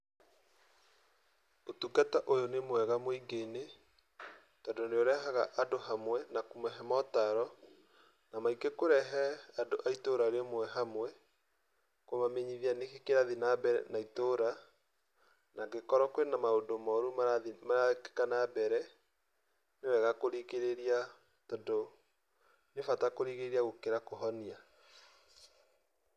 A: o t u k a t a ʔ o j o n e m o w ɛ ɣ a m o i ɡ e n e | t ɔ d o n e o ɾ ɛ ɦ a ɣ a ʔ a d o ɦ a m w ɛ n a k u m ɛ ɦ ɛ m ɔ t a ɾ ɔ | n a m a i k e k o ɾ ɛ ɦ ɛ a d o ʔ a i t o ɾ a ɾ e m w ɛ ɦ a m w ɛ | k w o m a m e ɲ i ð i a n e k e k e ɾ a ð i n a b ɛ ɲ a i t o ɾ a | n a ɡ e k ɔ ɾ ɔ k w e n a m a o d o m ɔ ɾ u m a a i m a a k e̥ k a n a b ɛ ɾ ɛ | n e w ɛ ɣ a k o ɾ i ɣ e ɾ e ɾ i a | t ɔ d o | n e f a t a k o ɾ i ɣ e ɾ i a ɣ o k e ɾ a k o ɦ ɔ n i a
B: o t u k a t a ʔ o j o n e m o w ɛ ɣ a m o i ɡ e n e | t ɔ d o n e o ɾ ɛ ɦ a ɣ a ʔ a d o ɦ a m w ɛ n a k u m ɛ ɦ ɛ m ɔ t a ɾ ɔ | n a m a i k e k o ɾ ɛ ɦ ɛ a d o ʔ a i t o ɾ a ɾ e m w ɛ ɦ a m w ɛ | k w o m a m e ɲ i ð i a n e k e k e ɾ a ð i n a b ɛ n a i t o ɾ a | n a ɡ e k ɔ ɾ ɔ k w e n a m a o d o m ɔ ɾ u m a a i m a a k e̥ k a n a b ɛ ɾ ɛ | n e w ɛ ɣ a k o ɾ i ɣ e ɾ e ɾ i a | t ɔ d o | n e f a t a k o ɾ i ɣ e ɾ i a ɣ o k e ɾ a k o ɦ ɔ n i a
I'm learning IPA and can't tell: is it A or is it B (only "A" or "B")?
B